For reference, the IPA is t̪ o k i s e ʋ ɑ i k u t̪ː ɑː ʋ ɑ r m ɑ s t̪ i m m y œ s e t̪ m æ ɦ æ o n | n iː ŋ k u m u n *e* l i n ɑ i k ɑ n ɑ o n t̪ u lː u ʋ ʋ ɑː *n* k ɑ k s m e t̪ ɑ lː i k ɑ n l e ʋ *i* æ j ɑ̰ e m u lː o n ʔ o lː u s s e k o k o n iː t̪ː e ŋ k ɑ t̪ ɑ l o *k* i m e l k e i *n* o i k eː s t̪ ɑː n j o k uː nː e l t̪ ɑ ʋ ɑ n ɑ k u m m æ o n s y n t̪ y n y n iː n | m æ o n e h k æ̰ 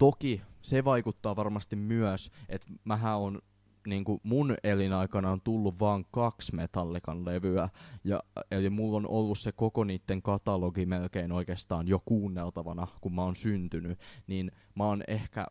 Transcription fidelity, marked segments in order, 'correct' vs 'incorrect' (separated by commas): correct, incorrect, incorrect, incorrect, correct